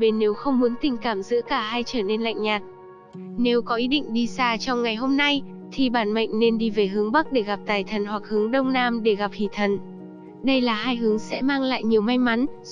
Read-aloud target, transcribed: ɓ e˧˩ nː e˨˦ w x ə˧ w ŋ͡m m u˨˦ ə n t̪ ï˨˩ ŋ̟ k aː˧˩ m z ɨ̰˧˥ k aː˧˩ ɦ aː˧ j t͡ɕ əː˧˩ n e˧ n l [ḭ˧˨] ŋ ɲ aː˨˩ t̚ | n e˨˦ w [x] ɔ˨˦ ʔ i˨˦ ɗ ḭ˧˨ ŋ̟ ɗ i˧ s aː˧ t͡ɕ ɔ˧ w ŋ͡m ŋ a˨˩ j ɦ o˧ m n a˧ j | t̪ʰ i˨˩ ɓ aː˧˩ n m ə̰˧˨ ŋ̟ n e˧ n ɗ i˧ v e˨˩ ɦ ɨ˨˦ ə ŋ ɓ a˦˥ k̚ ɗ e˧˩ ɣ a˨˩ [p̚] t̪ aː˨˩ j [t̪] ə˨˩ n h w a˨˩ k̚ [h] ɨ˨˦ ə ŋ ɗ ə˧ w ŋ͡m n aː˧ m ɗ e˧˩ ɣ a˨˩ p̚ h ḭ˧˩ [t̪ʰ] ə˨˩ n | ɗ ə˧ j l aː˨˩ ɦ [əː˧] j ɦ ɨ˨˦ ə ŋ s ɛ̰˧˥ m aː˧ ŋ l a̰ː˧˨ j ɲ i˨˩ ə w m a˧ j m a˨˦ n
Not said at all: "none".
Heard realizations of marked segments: a̰˧˨, k, p̚, t̪ʰ, h, t̪ʰ, aː˧

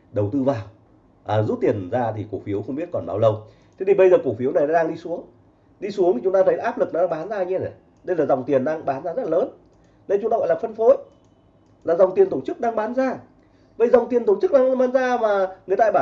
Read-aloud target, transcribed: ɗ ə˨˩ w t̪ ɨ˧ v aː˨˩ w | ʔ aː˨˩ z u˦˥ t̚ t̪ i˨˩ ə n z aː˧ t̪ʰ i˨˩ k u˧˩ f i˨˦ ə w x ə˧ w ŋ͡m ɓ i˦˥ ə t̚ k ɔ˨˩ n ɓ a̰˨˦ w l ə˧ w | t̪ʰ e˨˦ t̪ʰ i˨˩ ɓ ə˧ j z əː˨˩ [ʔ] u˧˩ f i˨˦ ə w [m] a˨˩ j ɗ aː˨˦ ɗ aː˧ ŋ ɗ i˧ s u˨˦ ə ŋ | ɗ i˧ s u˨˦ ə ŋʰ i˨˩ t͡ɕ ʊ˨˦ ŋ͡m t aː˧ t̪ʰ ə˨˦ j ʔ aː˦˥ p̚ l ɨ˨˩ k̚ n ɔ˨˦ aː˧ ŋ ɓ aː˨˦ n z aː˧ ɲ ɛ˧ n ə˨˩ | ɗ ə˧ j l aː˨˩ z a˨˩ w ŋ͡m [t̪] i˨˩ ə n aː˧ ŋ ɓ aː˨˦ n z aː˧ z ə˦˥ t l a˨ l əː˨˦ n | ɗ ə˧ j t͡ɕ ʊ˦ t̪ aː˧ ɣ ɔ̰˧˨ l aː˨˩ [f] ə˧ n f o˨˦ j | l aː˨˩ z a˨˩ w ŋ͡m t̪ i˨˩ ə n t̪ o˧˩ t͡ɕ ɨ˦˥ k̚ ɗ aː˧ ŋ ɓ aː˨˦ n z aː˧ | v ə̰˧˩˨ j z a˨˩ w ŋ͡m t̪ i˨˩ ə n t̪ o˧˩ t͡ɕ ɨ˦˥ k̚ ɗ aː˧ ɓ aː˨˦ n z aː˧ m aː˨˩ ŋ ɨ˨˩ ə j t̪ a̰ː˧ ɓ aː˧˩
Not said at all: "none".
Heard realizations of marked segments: k, n, t̪, f

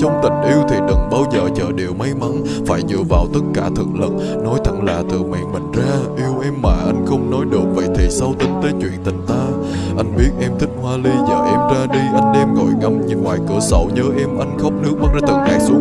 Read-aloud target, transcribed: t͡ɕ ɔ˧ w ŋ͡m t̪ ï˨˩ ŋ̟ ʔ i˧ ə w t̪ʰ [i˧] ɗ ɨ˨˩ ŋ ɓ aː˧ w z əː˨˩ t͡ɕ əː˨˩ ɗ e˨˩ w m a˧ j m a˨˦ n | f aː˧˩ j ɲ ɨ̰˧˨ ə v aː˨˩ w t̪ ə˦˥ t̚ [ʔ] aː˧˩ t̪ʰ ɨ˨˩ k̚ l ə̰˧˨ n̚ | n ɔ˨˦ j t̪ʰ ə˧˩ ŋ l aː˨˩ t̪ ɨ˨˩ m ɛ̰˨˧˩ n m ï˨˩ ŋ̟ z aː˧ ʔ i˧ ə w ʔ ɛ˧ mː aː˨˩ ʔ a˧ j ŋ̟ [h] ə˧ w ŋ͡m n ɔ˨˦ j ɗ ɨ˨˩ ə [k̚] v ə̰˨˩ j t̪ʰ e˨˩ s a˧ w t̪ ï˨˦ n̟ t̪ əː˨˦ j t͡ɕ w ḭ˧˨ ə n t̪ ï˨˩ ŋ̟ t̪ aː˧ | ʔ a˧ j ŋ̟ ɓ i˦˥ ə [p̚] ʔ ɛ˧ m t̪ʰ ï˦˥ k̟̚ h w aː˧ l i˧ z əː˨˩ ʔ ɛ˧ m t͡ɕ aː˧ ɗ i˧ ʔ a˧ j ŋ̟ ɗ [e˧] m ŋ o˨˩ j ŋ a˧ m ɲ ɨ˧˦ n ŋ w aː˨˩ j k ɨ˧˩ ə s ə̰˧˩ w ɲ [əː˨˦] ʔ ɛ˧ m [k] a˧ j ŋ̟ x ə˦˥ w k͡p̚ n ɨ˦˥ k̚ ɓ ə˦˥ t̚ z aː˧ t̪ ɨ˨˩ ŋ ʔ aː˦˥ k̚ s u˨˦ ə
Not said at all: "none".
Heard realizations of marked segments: i˨˩, k, x, k̚, t̚, ɛ˧, əː˨˦, ʔ

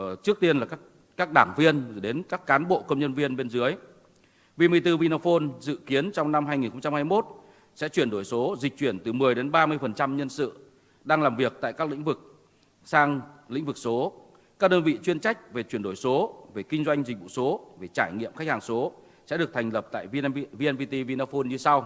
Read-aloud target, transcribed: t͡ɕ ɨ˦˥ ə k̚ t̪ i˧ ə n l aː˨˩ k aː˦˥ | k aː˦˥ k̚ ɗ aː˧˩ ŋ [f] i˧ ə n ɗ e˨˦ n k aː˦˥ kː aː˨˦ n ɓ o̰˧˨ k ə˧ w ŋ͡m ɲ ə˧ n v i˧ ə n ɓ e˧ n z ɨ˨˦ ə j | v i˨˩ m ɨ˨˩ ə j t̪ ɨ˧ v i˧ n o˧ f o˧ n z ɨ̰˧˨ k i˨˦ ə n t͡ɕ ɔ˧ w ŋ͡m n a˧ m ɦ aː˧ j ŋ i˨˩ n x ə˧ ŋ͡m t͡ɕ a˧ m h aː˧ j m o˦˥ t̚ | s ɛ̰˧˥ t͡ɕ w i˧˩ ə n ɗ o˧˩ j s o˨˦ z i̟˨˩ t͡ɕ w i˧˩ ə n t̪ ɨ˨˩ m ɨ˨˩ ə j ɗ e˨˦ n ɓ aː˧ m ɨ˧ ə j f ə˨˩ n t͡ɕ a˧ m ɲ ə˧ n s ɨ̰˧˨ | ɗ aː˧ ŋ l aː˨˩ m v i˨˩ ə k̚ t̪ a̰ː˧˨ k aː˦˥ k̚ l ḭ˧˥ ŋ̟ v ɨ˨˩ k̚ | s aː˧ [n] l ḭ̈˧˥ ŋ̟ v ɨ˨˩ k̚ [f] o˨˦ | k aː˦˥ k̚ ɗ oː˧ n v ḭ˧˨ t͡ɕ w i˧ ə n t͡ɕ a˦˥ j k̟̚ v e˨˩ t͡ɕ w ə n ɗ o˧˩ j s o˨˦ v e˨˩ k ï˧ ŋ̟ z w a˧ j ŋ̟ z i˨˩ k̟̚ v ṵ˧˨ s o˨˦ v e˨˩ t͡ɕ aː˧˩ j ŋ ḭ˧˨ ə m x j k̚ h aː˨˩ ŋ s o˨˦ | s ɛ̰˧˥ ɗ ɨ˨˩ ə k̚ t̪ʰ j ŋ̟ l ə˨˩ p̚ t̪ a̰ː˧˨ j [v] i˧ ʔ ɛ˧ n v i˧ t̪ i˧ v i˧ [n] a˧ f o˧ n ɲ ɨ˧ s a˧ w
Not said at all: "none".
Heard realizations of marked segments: v, ŋ, s, v, n

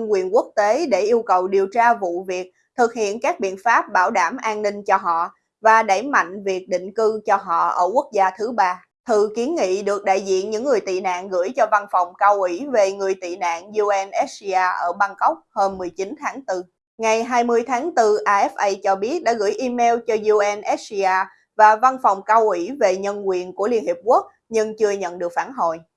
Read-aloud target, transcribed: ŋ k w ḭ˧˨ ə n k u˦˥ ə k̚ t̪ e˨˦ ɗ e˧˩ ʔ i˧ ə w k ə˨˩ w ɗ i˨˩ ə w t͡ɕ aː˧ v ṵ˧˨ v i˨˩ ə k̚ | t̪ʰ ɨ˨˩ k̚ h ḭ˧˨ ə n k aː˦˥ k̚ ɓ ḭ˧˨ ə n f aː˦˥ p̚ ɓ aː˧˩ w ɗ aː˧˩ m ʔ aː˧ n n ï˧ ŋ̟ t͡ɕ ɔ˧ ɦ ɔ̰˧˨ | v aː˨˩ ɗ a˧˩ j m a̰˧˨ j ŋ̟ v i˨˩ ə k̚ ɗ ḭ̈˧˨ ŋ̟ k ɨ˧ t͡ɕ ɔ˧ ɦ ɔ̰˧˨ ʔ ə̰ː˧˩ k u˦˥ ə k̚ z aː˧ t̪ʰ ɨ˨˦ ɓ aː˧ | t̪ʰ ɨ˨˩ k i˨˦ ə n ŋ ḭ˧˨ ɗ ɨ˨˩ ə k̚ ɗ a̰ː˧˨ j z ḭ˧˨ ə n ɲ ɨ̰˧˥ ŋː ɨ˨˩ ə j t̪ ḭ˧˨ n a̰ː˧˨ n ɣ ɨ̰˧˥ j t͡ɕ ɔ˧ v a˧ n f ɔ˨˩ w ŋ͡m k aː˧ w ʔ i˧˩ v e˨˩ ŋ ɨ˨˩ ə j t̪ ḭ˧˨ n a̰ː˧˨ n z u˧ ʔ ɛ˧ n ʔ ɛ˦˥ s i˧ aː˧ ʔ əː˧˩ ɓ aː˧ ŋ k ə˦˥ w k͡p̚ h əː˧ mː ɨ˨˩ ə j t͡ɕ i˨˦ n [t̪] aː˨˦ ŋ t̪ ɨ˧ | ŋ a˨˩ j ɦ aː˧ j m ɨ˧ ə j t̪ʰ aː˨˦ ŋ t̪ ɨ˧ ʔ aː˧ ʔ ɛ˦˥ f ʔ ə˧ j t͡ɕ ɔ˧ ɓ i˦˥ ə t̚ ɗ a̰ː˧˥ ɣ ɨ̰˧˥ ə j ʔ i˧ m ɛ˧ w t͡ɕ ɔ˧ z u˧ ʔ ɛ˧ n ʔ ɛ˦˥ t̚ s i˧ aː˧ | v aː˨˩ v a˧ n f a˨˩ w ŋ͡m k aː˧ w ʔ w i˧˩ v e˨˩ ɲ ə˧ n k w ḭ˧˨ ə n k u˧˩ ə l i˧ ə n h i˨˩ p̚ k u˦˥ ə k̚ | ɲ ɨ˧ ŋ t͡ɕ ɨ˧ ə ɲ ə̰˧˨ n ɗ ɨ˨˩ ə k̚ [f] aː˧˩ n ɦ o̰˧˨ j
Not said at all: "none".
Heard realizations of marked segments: t̪ʰ, f

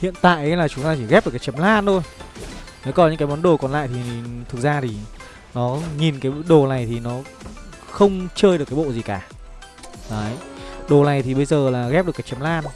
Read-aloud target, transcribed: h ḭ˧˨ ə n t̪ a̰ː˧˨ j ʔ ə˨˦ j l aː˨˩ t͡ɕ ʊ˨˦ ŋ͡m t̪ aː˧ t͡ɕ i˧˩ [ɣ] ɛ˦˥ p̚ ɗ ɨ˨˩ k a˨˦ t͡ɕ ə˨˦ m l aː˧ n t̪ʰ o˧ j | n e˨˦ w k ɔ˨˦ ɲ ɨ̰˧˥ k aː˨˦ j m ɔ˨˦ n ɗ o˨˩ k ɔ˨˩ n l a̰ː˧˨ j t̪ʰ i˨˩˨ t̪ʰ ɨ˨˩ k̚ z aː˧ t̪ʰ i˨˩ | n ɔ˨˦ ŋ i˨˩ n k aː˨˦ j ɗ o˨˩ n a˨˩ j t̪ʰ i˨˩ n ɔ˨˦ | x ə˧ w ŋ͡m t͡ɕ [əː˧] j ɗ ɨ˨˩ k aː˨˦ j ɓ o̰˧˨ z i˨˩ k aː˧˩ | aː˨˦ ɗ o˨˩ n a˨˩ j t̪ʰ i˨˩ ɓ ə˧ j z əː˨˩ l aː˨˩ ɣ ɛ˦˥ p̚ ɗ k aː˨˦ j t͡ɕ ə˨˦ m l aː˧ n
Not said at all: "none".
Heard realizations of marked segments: ɣ, əː˧

